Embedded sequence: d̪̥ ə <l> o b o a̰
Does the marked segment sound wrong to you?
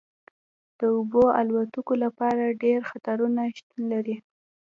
yes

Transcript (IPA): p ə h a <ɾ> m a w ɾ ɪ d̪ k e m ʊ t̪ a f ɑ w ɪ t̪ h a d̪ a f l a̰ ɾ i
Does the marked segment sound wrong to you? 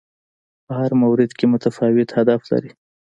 no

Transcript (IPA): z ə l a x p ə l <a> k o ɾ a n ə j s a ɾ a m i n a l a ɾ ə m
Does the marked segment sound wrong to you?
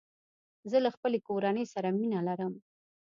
yes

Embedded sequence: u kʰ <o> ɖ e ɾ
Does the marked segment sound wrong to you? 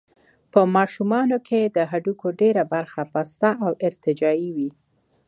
no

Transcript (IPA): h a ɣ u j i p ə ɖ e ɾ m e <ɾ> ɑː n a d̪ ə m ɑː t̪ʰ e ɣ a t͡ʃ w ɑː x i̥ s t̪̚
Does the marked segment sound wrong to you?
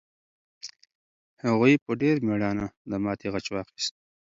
yes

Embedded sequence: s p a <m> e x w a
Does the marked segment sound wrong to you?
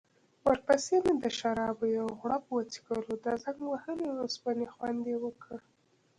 yes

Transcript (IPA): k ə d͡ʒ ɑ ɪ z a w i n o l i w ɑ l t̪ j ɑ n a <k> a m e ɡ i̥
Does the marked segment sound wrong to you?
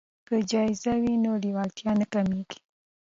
no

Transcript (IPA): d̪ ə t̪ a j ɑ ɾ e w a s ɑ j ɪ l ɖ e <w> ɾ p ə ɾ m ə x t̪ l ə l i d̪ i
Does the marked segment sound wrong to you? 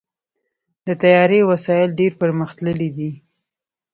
yes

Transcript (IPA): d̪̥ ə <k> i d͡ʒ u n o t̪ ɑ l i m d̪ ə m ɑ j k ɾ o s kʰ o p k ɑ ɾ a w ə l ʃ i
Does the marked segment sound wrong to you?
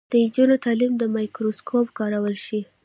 yes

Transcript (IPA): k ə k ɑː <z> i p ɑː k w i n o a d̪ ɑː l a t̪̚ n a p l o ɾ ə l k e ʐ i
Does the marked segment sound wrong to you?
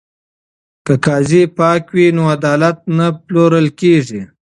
no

